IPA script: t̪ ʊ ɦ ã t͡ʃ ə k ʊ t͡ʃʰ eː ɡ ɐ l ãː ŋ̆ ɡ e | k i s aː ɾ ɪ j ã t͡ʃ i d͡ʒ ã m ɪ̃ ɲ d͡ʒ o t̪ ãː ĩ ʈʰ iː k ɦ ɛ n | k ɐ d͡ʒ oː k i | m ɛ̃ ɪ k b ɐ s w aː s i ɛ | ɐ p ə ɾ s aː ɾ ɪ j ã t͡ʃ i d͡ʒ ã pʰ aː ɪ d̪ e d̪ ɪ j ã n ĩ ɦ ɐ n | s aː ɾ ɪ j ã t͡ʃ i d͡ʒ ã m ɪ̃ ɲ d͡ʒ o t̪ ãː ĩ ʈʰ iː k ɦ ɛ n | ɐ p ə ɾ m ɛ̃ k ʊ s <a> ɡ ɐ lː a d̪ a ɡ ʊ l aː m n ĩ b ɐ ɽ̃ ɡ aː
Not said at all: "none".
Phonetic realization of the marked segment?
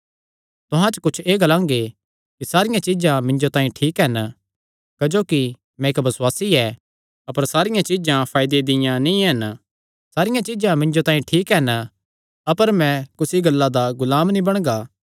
i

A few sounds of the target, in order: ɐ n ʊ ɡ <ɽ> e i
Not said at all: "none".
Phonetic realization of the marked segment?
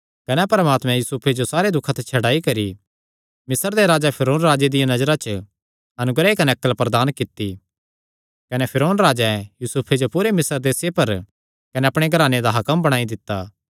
ɾ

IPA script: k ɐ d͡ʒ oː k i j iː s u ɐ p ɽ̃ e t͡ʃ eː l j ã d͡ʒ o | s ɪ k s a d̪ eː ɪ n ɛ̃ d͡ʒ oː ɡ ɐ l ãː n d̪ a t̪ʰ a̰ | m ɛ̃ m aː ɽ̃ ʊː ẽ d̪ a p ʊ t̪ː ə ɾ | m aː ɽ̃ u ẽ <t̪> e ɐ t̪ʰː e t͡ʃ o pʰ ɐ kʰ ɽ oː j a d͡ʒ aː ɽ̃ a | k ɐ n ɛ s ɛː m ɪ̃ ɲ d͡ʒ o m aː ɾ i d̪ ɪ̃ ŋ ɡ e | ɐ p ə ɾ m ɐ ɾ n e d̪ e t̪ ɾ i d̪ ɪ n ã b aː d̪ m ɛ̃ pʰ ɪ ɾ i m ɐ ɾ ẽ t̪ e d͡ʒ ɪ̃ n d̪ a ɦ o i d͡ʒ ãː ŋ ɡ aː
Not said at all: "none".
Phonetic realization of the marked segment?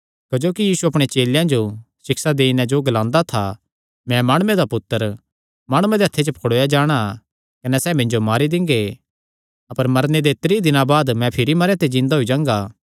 d̪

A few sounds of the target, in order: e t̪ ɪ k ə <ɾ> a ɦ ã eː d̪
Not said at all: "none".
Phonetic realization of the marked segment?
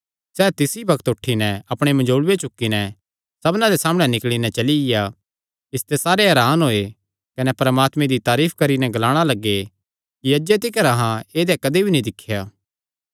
ɾ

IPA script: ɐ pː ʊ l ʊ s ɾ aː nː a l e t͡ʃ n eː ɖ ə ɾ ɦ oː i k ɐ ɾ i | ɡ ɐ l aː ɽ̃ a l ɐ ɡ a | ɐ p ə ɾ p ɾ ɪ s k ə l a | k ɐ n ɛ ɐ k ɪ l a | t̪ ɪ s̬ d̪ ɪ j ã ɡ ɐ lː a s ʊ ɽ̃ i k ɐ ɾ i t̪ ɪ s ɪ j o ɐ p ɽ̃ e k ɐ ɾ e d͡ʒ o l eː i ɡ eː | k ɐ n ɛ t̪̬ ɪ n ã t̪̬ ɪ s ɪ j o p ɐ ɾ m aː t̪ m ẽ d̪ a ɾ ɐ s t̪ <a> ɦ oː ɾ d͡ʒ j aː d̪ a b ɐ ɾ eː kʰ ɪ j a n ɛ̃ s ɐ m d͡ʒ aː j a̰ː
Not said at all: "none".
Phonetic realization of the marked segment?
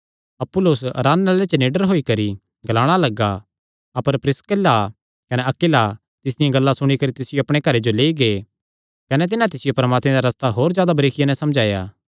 a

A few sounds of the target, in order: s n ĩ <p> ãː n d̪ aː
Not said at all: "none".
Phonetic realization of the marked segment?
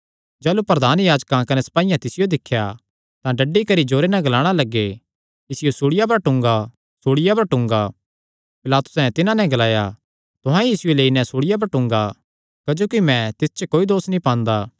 p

